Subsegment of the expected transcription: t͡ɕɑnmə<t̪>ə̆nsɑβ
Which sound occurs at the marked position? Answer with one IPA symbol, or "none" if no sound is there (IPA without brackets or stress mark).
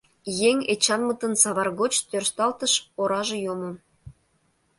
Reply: t̪